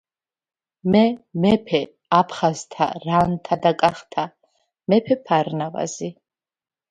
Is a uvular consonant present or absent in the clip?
present